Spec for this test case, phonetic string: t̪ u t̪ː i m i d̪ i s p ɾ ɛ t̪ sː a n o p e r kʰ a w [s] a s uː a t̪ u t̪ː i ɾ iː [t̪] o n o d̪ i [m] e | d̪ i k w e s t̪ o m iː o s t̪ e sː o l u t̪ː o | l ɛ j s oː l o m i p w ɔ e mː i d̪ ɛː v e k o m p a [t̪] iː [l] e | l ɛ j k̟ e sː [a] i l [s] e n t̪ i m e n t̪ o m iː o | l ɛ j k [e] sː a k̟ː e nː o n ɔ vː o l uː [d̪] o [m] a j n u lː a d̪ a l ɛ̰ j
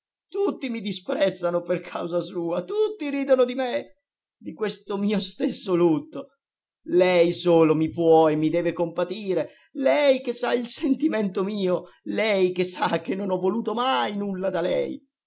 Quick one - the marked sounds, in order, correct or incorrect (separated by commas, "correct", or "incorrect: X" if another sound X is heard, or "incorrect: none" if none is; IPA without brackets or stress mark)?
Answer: incorrect: z, incorrect: d̪, correct, correct, incorrect: ɾ, correct, correct, correct, incorrect: t̪, correct